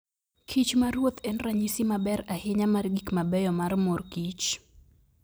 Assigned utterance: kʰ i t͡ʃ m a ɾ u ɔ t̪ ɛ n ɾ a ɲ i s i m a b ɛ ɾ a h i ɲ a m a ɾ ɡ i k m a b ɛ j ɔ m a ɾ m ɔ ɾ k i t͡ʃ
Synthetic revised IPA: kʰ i t͡ʃ m a ɾ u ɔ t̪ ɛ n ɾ a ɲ i s i m a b ɛ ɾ a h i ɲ a m a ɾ ɡ i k m a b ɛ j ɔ m a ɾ m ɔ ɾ k i t͡ʃ